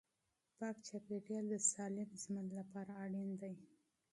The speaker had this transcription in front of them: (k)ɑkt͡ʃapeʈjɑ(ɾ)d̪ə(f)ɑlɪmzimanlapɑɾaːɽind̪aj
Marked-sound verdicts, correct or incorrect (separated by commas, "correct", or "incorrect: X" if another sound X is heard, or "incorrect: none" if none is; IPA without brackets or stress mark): incorrect: p, incorrect: l, incorrect: s